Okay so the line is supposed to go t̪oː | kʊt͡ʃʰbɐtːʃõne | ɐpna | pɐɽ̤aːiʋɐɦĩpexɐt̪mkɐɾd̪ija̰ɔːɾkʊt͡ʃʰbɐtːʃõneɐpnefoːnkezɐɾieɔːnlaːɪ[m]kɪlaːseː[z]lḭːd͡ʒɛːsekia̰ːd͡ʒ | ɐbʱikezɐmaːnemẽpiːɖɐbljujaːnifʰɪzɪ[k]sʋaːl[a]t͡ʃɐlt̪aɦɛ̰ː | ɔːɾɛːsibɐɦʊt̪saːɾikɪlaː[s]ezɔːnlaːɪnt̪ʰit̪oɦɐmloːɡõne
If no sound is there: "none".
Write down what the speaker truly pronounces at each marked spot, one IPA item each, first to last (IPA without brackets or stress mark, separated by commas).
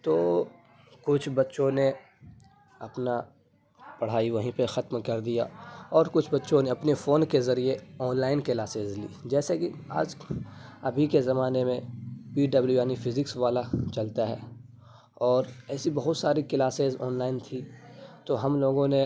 n, z, k, a, s